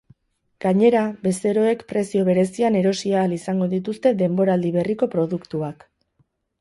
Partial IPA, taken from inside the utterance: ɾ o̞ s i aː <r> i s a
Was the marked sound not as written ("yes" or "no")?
yes